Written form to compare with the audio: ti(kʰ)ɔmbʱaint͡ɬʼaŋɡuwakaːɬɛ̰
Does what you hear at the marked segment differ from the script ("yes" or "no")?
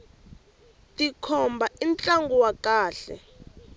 no